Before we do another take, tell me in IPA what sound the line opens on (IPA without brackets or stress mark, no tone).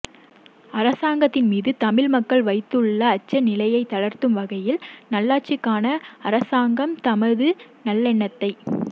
ɐ